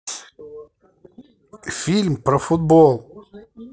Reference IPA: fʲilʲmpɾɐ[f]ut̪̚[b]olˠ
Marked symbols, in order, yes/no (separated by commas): yes, yes